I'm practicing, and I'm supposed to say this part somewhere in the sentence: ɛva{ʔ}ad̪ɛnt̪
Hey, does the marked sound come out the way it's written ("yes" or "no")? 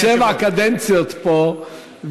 no